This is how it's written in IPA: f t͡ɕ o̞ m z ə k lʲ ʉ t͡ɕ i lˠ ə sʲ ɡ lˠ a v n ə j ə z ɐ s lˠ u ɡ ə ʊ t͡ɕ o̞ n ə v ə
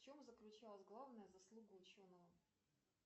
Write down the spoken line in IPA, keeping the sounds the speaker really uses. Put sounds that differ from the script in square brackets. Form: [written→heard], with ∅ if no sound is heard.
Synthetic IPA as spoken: f t͡ɕ o̞ m z ə k lʲ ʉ t͡ɕ [i→a] lˠ ə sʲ ɡ lˠ a v n ə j ə z ɐ s lˠ u ɡ ə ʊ t͡ɕ o̞ n ə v ə